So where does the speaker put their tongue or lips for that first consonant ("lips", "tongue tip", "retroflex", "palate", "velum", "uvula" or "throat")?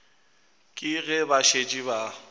velum